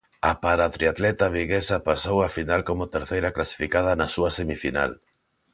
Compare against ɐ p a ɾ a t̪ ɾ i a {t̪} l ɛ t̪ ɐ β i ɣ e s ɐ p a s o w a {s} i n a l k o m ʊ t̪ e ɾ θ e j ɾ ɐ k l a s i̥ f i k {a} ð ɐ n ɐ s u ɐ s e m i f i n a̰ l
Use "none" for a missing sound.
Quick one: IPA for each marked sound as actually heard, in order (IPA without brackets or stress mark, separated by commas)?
t̪, f, a